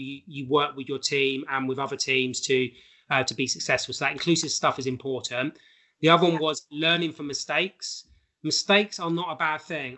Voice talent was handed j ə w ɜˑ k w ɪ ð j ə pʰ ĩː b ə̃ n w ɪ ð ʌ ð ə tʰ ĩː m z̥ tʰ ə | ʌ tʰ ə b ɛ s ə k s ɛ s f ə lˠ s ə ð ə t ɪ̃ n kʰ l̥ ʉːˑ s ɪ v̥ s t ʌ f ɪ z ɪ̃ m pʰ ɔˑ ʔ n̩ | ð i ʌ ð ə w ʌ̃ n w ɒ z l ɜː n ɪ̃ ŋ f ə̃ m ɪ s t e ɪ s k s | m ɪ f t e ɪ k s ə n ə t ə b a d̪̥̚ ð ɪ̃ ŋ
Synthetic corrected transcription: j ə w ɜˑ k w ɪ ð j ə tʰ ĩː m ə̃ n w ɪ ð ʌ ð ə tʰ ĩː m z̥ tʰ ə | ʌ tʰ ə b i s ə k s ɛ s f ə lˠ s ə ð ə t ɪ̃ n kʰ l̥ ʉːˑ s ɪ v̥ s t ʌ f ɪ z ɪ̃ m pʰ ɔˑ ʔ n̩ | ð i ʌ ð ə w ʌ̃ n w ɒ z l ɜː n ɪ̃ ŋ f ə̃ m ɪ s t e ɪ k s | m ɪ s t e ɪ k s ə n ə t ə b a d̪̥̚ θ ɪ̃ ŋ